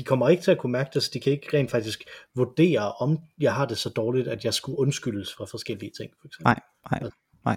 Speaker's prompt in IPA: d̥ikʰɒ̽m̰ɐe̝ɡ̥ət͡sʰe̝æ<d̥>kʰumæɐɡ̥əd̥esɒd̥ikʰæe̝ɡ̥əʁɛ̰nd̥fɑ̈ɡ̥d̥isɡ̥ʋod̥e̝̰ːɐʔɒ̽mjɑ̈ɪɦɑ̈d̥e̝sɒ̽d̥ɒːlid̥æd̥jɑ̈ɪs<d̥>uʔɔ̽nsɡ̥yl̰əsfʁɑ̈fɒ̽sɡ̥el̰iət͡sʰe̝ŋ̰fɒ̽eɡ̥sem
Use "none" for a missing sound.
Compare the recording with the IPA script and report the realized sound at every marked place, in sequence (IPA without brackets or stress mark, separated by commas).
none, ɡ̥